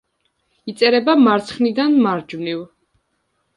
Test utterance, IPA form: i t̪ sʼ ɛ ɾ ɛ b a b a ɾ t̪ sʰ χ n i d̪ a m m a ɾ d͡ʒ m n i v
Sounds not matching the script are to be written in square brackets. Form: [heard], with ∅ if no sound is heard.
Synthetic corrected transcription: i t̪ sʼ ɛ ɾ ɛ b a [m] a ɾ t̪ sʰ χ n i d̪ a [n] m a ɾ d͡ʒ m n i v